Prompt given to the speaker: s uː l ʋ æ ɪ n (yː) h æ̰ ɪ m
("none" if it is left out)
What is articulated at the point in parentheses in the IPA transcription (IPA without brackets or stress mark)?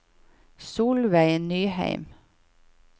yː